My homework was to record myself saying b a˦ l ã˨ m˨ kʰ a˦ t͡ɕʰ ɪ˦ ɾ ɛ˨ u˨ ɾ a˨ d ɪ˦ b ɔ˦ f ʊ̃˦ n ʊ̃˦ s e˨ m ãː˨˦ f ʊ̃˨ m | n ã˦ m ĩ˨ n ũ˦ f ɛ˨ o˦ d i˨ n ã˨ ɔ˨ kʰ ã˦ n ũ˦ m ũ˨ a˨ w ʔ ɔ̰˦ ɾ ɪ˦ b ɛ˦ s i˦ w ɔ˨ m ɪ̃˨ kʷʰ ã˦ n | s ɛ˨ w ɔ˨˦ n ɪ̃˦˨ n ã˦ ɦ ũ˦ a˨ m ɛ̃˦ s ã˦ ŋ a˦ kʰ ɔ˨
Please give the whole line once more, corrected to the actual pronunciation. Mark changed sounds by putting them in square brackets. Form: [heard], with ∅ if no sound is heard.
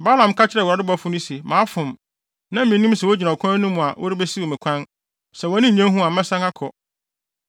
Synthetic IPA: b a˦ l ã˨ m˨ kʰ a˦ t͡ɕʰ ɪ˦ ɾ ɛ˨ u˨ ɾ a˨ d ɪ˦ b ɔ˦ f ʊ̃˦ n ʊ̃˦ s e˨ m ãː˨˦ f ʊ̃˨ m | n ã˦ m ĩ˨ n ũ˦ [s] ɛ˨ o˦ [d͡ʑ] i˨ n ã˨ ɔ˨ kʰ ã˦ n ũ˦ m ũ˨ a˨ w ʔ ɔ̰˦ ɾ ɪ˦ b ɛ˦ s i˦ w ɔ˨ m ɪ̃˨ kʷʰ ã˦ n | s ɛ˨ w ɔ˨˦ n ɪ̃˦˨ [ɲ] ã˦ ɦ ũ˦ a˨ m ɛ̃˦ s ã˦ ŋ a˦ kʰ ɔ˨